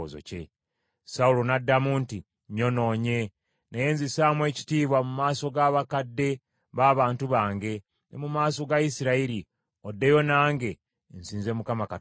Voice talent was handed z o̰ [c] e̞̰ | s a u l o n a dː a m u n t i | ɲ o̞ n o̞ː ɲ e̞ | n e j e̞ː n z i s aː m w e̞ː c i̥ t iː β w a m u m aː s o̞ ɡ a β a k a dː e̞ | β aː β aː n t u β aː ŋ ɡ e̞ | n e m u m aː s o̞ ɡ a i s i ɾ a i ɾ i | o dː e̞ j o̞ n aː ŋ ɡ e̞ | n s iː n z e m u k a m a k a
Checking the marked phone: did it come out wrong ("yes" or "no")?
no